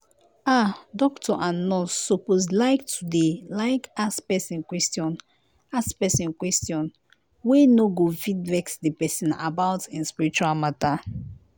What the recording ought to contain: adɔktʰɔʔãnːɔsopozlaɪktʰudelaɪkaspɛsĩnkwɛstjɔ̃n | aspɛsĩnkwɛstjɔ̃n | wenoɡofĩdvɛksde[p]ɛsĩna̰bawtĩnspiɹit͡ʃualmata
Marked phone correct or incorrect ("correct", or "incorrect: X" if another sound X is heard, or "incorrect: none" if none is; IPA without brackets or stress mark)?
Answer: correct